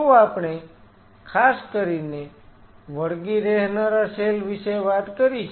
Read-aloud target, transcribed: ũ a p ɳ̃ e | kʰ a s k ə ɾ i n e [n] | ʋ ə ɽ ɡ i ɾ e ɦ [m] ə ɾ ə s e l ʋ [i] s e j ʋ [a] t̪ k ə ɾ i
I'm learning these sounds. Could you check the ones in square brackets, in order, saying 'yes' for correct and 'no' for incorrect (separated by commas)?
no, no, yes, yes